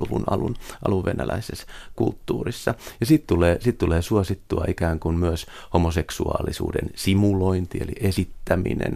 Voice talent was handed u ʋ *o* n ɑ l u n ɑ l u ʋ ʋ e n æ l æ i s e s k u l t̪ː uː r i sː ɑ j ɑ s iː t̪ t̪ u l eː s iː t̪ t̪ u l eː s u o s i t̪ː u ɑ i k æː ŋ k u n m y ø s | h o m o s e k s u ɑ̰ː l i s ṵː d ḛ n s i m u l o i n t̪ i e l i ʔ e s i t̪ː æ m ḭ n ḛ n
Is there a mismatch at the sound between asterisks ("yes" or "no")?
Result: yes